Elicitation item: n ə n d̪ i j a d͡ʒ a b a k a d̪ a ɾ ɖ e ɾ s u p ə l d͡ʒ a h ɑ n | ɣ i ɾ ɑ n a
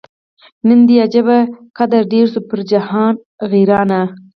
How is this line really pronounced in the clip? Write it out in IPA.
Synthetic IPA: n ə n d̪ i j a d͡ʒ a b a k a d̪ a ɾ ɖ e ɾ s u p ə ɾ d͡ʒ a h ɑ n | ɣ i ɾ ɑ n a

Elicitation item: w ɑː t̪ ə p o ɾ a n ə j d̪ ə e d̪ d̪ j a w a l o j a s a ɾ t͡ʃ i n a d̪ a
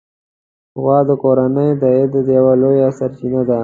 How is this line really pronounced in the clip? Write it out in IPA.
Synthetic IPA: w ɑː d̪ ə k o ɾ a n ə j d̪ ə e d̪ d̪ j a w a l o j a s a ɾ t͡ʃ i n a d̪ a

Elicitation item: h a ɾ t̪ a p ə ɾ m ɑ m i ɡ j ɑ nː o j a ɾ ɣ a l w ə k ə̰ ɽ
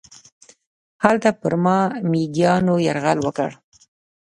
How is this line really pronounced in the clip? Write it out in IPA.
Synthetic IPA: h a l t̪ a p ə ɾ m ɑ m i ɡ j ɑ n o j a ɾ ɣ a l w ə k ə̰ ɽ

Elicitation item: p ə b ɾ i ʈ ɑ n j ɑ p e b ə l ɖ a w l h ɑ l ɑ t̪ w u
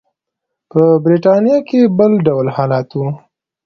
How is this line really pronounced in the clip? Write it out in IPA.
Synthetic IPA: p ə b ɾ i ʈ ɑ n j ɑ k e b ə l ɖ a w l h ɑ l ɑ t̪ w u

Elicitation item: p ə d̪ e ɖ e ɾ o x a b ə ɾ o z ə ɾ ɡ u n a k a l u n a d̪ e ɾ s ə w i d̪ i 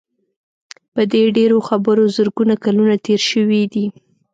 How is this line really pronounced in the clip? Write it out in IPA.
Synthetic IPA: p ə d̪ e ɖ e ɾ o x a b ə ɾ o z ə ɾ ɡ u n a k a l u n a t̪ e ɾ ʃ ə w i d̪ i

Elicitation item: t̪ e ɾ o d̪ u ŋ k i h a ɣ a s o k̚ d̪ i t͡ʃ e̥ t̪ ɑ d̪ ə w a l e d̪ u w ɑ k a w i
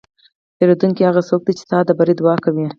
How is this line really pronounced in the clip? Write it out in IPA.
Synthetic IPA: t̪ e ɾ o d̪ u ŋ k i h a ɣ a s o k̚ d̪ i t͡ʃ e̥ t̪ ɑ d̪ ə b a ɾ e d̪ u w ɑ k a w i

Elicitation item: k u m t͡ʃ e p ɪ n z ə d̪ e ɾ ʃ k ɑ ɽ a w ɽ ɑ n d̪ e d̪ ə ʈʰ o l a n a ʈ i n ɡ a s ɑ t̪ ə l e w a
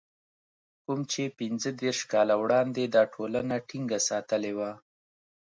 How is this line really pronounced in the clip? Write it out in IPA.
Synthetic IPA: k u m t͡ʃ e p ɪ n z ə d̪ e ɾ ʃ k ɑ l a w ɽ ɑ n d̪ e d̪ ɑ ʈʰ o l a n a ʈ i ŋ ɡ a s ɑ t̪ ə l e w a

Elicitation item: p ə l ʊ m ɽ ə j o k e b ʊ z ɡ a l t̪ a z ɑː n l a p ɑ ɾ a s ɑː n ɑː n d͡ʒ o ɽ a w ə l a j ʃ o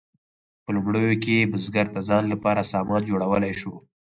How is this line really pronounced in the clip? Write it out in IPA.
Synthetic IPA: p ə l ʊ m ɽ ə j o k e b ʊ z ɡ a ɾ t̪ a z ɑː n l a p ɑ ɾ a s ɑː m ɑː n d͡ʒ o ɽ a w ə l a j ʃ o

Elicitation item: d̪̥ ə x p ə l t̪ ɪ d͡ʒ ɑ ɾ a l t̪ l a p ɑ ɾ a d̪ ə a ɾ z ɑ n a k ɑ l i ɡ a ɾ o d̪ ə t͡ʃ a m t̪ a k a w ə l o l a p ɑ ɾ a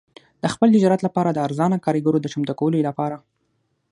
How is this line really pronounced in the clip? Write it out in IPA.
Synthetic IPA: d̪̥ ə x p ə l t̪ ɪ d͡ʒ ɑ ɾ a t̪ l a p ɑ ɾ a d̪ ə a ɾ z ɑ n a k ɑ ɾ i ɡ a ɾ o d̪ ə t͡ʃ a m t̪ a k a w ə l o l a p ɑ ɾ a

